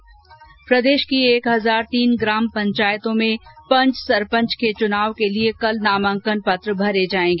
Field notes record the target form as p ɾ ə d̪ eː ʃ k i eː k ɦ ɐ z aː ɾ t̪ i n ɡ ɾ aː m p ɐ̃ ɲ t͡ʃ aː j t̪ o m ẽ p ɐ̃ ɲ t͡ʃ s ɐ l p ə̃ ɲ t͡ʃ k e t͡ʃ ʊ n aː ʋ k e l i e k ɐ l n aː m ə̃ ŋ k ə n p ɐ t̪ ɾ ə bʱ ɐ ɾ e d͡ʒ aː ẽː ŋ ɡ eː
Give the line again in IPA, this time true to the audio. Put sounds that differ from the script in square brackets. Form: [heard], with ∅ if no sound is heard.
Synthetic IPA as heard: p ɾ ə d̪ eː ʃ k i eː k ɦ ɐ z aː ɾ t̪ [iː] n ɡ ɾ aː m p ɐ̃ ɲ t͡ʃ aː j t̪ [õ] m ẽ p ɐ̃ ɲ t͡ʃ s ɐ [ɾ] p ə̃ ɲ t͡ʃ k e t͡ʃ ʊ n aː ʋ k e l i e k ɐ l n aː m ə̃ ŋ k ə n p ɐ t̪ ɾ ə bʱ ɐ ɾ e d͡ʒ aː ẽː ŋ ɡ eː